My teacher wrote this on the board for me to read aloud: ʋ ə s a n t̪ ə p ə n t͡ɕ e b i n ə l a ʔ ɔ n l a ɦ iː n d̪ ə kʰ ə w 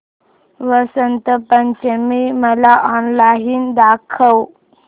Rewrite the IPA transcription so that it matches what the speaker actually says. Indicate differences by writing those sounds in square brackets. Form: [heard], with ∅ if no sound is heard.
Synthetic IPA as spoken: ʋ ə s [ə] n t̪ ə p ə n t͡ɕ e [m] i [m] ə l a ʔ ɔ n l a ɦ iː n d̪ [a] kʰ ə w